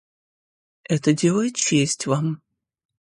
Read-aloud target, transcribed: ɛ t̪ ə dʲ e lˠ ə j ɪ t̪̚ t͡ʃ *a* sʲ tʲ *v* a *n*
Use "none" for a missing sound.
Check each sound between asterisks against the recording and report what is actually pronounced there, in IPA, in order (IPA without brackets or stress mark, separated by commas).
e, v, m